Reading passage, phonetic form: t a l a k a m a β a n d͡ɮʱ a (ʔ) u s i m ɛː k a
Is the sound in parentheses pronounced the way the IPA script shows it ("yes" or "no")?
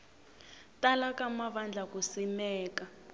no